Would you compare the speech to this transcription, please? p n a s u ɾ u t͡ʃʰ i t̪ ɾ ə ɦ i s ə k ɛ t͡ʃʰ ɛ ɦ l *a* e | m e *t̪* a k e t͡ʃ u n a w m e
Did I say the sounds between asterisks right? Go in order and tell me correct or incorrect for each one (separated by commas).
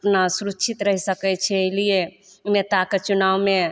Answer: incorrect, correct